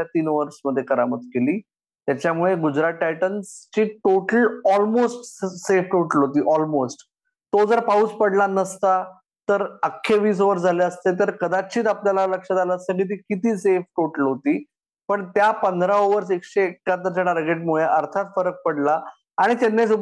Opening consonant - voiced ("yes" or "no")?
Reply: no